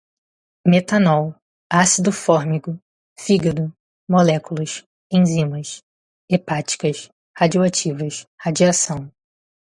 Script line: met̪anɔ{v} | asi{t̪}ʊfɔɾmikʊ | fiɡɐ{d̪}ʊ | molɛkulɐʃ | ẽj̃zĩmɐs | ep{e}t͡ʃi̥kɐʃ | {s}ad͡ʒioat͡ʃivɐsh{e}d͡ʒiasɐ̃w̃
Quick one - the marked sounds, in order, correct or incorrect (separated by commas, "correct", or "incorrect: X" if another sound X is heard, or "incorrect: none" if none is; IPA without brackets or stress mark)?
incorrect: w, incorrect: d̪, correct, incorrect: a, incorrect: h, incorrect: a